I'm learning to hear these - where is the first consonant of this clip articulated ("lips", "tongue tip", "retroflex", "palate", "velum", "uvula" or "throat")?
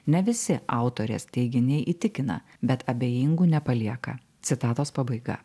tongue tip